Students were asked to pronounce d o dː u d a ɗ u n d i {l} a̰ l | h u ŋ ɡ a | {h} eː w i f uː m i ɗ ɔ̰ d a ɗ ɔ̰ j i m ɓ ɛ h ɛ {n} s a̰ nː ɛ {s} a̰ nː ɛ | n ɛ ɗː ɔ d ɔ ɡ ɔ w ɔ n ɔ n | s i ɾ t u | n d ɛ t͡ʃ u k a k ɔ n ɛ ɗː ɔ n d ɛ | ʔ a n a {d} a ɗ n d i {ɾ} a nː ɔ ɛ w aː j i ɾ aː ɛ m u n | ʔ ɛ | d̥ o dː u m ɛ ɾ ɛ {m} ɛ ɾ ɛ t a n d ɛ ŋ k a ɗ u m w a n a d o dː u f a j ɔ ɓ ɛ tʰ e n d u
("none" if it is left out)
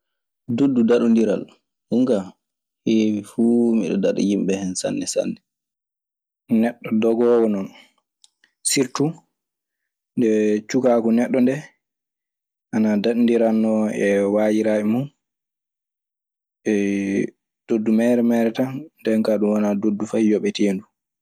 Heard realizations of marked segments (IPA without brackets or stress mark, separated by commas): ɾ, h, n, s, d, ɾ, m